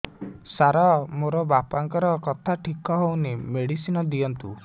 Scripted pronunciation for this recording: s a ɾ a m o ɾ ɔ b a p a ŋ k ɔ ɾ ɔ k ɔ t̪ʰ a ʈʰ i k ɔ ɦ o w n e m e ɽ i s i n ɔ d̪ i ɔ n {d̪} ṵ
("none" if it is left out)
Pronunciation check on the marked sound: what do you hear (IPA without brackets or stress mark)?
t̪